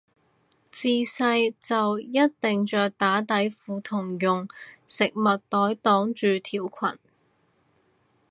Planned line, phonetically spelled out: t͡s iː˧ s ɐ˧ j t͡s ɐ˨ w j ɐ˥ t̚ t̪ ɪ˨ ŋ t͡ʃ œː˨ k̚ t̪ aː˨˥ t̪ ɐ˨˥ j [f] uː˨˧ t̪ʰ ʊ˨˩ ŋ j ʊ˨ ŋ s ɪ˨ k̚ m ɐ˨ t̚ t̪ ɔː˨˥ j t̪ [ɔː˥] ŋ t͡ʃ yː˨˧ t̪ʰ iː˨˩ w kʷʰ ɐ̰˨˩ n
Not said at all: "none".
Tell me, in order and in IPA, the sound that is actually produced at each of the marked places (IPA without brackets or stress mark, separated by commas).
f, ɔː˨˥